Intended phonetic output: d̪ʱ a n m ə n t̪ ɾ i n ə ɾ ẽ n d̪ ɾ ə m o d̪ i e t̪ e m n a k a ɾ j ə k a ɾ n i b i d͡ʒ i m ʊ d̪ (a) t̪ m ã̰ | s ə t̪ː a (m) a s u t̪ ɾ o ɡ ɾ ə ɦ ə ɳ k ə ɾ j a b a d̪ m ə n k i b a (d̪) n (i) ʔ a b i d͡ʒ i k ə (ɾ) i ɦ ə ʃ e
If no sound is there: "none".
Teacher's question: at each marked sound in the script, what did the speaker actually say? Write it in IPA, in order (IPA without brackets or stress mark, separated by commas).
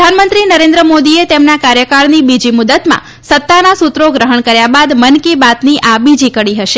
ə, n, t̪, i, ɽ